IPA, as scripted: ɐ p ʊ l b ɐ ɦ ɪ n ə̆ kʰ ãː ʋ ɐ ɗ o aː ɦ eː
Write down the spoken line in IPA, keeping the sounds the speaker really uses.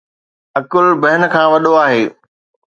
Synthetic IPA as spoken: ɐ k ʊ l b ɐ ɦ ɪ n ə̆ kʰ ãː ʋ ɐ ɗ o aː ɦ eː